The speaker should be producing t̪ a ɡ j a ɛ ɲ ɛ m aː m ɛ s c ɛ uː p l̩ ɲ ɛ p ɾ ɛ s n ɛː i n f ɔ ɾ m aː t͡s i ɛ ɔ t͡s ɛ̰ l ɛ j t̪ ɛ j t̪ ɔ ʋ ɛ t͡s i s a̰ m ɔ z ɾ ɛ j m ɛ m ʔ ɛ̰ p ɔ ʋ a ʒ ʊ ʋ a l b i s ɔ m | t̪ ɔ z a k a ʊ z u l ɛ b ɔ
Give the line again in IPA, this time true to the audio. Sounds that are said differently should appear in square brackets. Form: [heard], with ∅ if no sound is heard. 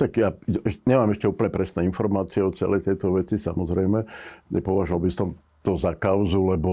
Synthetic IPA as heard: t̪ a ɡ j a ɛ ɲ ɛ m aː m ɛ [ʃ] c ɛ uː p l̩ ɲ ɛ p ɾ ɛ s n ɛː i n f ɔ ɾ m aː t͡s i ɛ ɔ t͡s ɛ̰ l ɛ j t̪ ɛ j t̪ ɔ ʋ ɛ t͡s i s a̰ m ɔ z ɾ ɛ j m ɛ [ɲ] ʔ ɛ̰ p ɔ ʋ a ʒ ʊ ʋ a l b i s ɔ m | t̪ ɔ z a k a ʊ z u l ɛ b ɔ